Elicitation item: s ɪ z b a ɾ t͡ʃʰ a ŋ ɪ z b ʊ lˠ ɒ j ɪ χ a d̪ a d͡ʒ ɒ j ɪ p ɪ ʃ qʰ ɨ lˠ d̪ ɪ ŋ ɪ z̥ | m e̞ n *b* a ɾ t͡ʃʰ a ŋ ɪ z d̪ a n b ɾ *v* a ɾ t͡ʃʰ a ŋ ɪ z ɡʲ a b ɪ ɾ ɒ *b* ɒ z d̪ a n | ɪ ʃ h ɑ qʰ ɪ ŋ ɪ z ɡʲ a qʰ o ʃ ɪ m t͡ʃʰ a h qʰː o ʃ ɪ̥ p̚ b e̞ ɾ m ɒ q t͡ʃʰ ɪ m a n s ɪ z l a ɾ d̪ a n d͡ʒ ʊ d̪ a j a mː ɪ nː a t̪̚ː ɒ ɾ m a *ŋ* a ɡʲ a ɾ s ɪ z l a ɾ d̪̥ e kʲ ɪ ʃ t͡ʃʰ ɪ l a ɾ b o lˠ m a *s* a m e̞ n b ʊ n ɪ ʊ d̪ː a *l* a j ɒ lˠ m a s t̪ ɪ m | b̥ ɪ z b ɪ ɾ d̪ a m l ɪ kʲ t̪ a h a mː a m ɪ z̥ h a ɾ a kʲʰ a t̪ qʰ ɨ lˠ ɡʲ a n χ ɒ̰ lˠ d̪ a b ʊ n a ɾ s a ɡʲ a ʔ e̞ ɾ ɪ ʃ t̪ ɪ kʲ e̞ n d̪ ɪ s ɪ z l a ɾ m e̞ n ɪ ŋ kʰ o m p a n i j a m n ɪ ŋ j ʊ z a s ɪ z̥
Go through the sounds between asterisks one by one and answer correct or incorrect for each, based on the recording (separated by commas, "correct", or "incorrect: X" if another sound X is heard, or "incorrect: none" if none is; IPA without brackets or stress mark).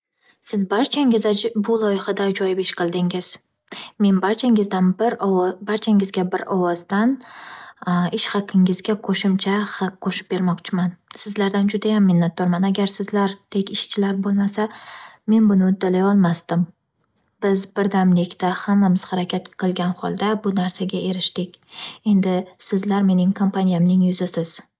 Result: correct, incorrect: b, incorrect: w, incorrect: n, correct, correct